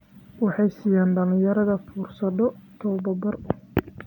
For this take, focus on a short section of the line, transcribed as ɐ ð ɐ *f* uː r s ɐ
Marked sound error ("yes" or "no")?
no